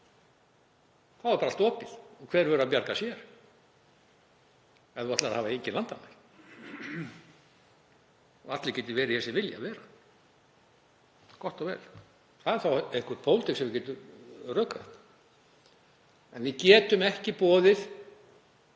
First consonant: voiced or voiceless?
voiceless